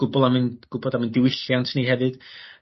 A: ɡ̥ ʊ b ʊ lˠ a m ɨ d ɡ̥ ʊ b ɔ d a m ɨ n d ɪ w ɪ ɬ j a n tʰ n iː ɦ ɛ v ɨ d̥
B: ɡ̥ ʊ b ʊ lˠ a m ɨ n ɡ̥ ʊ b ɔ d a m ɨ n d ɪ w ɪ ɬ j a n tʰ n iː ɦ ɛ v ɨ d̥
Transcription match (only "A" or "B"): B